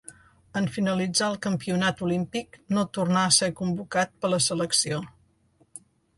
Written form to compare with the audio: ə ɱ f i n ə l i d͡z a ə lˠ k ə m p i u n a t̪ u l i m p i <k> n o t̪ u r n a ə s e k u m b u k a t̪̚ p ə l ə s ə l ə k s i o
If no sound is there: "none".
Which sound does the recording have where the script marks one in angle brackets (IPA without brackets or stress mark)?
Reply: k